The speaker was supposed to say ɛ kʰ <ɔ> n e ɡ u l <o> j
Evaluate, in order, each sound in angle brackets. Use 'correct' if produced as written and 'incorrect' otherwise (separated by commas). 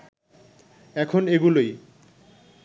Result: incorrect, correct